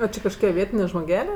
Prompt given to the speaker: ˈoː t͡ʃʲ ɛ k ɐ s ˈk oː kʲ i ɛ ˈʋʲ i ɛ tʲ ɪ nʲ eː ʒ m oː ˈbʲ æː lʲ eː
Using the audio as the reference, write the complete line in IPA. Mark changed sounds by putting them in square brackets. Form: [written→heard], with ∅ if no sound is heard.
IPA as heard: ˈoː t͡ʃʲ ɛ k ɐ [s→ʃ] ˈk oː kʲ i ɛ ˈʋʲ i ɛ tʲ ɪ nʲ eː ʒ m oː [ˈbʲ→ˈɡʲ] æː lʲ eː